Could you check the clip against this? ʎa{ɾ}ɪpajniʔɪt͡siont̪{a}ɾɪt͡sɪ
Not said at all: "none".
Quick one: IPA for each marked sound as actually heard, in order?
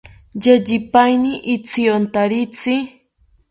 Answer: ʎ, a

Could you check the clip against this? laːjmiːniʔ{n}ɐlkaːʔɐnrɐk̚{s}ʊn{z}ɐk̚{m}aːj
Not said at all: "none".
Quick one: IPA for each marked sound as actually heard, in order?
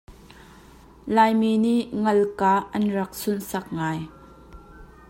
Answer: ŋ, s, s, ŋ

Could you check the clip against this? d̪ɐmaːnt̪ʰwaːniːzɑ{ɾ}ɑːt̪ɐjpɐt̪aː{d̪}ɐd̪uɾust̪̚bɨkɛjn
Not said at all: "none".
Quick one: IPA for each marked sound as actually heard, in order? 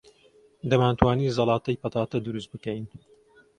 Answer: l, t̪

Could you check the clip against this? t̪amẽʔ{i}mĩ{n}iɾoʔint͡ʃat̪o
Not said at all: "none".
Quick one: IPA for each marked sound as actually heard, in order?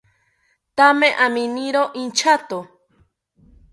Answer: a, n

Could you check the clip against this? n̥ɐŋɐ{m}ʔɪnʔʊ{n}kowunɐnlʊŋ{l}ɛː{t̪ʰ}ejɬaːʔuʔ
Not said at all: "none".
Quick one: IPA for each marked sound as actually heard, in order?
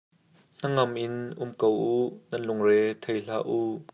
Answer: m, m, r, t̪ʰ

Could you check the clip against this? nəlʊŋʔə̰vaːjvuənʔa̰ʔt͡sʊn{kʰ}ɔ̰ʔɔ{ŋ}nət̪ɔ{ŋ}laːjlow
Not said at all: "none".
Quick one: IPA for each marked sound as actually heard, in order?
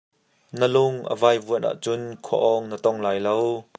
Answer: kʰ, ŋ, ŋ

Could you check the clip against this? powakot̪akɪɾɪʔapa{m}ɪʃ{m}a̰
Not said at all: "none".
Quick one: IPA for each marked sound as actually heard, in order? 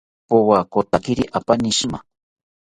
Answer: n, m

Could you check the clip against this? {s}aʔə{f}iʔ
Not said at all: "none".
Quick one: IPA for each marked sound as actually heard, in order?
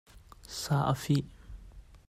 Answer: s, f

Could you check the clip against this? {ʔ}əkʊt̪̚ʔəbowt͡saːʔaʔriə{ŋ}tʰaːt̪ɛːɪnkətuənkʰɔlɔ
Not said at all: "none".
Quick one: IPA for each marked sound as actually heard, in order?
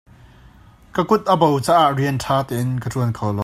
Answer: k, n

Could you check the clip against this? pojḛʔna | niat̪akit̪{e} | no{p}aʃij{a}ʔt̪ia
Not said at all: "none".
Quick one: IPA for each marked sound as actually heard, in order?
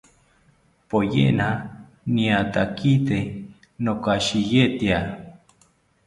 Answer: e, k, e

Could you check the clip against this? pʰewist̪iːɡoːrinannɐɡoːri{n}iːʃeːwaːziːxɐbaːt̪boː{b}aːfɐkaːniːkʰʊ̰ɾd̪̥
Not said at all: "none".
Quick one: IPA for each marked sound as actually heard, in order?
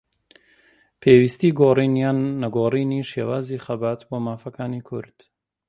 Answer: n, m

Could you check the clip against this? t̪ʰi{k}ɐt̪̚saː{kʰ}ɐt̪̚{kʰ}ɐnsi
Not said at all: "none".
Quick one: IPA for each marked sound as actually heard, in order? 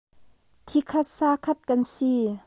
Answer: kʰ, kʰ, k

